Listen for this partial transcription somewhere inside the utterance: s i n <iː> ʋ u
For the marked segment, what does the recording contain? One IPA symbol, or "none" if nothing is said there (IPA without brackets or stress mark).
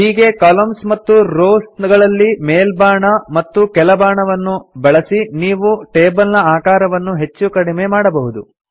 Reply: iː